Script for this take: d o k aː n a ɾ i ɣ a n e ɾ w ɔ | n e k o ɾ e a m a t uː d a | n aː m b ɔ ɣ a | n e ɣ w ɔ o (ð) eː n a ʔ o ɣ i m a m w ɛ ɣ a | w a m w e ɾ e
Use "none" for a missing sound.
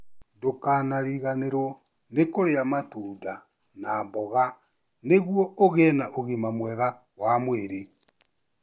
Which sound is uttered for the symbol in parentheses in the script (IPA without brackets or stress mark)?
ɣ